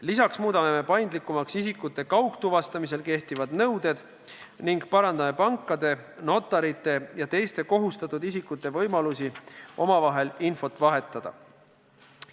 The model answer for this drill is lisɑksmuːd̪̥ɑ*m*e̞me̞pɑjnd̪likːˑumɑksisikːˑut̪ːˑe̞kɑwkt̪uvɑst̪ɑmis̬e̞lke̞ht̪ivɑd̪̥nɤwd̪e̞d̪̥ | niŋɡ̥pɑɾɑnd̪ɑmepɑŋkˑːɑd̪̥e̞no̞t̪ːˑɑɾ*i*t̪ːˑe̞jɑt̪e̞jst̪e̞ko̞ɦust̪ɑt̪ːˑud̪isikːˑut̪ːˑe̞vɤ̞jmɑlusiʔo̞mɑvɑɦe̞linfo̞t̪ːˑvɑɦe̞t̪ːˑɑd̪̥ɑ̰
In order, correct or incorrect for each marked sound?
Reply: correct, correct

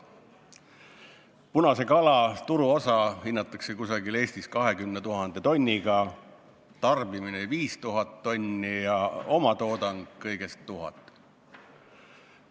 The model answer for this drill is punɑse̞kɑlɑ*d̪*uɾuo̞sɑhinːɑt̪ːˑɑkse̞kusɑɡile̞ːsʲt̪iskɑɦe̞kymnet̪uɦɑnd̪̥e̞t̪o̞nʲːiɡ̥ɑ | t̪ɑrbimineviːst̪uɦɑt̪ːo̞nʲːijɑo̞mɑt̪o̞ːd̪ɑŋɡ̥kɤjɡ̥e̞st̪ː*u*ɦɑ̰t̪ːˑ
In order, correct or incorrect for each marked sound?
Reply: incorrect: t̪, correct

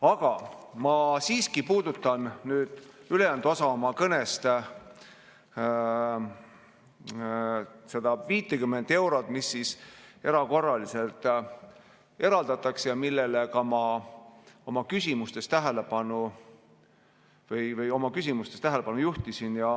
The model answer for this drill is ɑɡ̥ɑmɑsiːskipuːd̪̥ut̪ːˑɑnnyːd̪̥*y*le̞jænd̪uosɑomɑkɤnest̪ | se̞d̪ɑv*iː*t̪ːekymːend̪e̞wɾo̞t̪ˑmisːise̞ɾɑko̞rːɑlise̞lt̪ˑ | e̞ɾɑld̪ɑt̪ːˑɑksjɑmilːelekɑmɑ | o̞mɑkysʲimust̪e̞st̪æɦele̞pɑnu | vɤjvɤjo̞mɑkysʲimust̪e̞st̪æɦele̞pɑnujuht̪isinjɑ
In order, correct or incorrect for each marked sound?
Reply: correct, correct

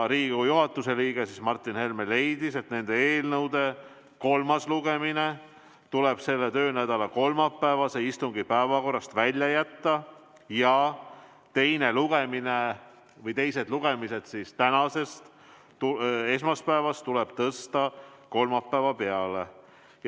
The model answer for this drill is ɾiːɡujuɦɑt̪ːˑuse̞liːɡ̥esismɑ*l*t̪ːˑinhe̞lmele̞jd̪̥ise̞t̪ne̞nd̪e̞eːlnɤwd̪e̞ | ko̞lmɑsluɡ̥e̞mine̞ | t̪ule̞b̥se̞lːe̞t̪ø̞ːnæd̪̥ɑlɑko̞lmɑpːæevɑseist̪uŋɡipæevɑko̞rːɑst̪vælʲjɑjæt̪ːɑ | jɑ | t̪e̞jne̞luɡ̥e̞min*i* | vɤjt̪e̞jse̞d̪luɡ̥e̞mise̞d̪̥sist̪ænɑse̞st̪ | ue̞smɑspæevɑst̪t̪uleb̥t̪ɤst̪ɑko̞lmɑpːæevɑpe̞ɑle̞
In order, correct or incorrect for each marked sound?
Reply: incorrect: r, incorrect: e

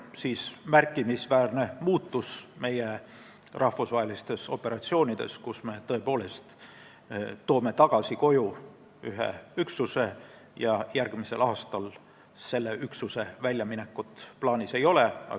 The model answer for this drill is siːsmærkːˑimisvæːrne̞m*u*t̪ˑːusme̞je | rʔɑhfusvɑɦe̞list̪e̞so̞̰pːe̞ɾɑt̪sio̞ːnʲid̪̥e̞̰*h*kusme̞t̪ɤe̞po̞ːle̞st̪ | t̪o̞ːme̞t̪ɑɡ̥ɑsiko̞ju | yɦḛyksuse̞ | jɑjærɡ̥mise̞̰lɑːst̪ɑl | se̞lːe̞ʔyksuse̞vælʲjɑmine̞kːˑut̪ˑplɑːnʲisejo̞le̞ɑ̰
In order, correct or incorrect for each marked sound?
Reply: incorrect: uː, incorrect: s

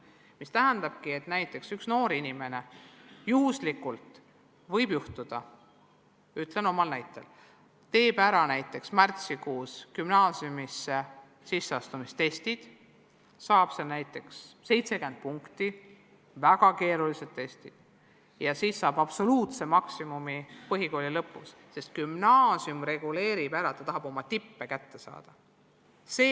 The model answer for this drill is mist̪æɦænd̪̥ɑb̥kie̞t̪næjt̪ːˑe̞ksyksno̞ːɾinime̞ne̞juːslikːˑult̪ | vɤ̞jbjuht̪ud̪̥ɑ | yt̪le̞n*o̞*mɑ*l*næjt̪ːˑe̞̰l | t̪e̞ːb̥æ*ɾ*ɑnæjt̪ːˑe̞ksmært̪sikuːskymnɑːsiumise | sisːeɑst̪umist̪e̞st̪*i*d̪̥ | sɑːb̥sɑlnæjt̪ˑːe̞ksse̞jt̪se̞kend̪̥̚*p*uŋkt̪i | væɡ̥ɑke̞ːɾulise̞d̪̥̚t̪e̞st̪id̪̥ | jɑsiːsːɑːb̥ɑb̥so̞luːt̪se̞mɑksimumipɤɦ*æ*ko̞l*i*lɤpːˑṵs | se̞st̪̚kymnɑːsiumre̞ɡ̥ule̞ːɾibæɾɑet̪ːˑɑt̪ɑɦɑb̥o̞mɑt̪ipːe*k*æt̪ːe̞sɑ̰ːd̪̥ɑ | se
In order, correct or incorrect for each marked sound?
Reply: correct, correct, correct, correct, correct, incorrect: i, correct, correct

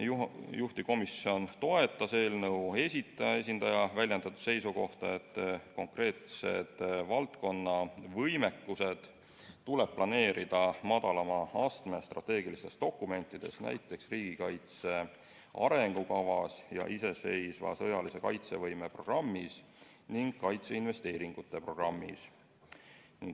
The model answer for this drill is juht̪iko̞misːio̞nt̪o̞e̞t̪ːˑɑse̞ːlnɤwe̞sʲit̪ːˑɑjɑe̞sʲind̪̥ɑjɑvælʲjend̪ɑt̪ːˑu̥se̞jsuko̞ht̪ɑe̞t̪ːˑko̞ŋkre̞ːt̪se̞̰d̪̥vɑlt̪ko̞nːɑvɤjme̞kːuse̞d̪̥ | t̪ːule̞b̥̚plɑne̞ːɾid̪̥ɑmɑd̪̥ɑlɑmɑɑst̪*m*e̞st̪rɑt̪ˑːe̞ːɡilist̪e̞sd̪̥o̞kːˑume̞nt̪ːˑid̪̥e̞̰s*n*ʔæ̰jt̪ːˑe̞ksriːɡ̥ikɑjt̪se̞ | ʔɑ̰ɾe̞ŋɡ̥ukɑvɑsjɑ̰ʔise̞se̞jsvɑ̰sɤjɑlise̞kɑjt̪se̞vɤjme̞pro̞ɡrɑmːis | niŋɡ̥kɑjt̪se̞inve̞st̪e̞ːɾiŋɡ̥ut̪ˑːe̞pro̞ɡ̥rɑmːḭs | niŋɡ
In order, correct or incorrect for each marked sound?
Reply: correct, correct

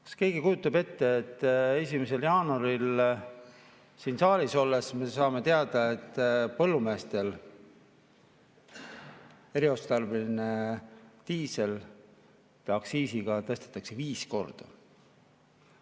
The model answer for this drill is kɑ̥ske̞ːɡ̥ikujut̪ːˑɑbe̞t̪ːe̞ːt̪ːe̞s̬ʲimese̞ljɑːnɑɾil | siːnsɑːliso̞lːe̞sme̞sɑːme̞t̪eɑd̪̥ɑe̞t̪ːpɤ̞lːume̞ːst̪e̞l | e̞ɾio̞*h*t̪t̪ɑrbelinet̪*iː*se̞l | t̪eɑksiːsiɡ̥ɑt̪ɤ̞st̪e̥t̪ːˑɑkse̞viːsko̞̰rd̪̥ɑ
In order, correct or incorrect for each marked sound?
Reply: incorrect: s, correct

